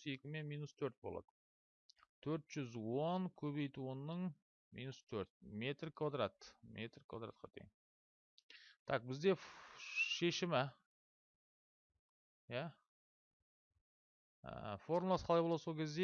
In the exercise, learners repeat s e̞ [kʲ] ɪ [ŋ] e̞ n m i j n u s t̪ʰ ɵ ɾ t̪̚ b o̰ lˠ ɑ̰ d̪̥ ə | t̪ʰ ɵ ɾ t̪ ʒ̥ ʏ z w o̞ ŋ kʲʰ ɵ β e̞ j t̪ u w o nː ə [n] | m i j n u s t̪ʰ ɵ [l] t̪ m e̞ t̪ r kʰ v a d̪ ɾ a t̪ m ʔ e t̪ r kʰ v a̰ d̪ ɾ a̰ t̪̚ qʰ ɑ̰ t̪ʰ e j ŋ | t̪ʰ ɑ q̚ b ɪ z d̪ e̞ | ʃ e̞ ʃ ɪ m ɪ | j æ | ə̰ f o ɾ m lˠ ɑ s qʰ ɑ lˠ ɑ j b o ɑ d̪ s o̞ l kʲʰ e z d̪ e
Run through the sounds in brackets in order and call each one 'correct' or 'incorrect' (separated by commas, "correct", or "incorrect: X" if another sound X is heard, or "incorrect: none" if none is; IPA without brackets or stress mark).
correct, incorrect: m, incorrect: ɴ, incorrect: ɾ